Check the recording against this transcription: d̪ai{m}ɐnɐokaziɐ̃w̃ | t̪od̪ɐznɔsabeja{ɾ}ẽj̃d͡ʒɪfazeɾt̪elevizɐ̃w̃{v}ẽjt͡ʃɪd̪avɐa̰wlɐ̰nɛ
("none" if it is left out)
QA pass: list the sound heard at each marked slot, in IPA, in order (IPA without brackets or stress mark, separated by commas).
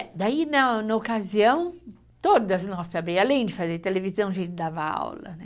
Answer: n, l, ʒ